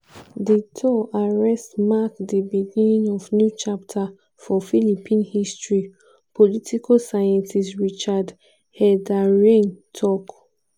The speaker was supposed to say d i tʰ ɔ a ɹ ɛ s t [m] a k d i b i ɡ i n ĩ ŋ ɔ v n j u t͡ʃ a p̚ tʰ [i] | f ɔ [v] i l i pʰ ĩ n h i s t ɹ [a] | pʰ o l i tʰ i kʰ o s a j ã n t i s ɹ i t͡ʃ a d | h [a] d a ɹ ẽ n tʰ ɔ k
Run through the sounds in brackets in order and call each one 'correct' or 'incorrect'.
correct, incorrect: a, incorrect: f, incorrect: i, incorrect: ɛ

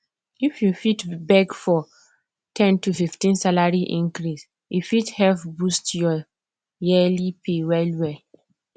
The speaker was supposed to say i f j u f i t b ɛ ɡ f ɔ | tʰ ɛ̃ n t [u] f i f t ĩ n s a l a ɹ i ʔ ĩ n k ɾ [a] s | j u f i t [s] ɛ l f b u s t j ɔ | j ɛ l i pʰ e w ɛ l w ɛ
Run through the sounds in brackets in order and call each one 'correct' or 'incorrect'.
correct, incorrect: i, incorrect: h

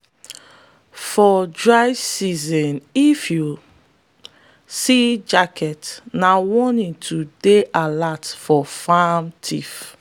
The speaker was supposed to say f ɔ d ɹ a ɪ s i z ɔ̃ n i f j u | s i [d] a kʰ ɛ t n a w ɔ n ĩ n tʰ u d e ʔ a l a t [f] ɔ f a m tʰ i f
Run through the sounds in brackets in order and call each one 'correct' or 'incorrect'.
incorrect: d͡ʒ, correct

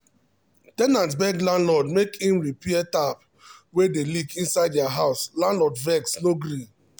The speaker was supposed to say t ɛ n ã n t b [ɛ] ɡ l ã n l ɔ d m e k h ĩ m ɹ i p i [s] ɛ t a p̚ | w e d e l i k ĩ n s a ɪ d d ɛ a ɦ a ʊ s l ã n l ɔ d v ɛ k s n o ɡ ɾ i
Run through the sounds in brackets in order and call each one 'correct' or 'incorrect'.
correct, incorrect: none

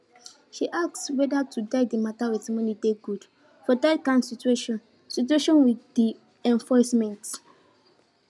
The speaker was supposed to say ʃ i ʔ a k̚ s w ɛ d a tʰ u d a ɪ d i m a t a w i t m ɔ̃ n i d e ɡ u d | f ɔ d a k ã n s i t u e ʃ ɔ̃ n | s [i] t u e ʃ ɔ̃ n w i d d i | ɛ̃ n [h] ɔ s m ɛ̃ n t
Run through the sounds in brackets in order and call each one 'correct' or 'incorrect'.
correct, incorrect: f

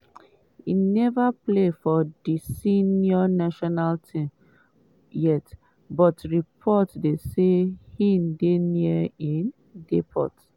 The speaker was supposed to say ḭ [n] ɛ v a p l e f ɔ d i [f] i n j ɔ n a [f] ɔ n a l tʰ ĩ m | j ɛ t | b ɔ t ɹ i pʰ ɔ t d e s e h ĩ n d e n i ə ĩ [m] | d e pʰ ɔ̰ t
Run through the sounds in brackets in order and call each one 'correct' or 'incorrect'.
correct, incorrect: s, incorrect: ʃ, incorrect: n

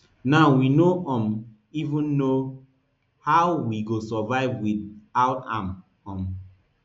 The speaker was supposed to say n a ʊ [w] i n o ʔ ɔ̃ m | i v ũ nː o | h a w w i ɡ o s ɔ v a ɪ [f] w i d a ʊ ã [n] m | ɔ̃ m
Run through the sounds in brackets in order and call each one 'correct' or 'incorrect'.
correct, incorrect: v, incorrect: none

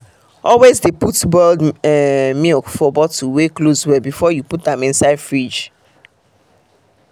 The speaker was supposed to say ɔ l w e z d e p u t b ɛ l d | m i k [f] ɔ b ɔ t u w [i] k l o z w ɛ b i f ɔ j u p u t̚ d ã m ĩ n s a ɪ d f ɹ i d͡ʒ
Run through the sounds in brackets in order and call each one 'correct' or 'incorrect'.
correct, incorrect: e

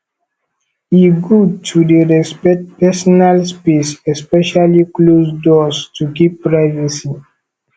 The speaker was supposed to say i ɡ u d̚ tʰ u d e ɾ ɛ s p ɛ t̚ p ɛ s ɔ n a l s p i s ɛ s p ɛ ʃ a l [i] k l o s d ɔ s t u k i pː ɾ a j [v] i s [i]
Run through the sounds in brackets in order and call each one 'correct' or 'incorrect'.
correct, correct, correct

